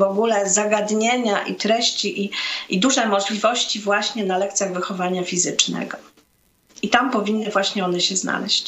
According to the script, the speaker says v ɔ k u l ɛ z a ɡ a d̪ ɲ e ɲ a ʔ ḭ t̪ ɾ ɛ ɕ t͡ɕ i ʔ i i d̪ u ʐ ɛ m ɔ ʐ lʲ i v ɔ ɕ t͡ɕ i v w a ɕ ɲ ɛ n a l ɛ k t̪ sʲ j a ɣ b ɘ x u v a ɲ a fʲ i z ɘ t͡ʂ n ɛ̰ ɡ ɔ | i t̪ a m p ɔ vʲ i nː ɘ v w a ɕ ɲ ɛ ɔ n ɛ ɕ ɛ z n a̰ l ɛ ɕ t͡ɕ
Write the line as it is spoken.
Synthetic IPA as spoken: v ɔ ɡ u l ɛ z a ɡ a d̪ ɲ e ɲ a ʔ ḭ t̪ ɾ ɛ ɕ t͡ɕ i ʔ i i d̪ u ʐ ɛ m ɔ ʐ lʲ i v ɔ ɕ t͡ɕ i v w a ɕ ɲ ɛ n a l ɛ k t̪ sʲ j a ɣ v ɘ x ɔ v a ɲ a fʲ i z ɘ t͡ʂ n ɛ̰ ɡ ɔ | i t̪ a m p ɔ vʲ i nː ɘ v w a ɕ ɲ ɛ ɔ n ɛ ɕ ɛ z n a̰ l ɛ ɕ t͡ɕ